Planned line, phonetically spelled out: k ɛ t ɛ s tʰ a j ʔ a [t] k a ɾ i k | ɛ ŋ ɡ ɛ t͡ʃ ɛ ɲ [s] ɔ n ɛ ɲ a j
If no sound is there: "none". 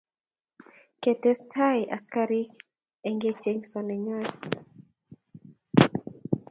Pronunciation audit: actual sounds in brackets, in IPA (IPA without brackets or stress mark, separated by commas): s, s